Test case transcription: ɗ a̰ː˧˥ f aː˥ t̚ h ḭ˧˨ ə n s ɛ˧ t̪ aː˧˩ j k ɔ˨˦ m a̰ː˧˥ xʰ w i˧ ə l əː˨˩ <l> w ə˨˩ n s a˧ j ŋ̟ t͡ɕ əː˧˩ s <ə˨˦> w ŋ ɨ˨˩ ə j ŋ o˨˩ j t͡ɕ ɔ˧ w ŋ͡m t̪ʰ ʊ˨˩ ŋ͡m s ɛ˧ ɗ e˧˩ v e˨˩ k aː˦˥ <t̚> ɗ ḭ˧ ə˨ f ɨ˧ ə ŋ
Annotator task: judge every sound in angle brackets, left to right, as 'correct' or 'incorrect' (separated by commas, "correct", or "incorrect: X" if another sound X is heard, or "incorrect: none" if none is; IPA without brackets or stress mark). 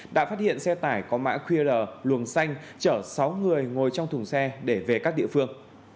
correct, incorrect: a˨˦, incorrect: k̚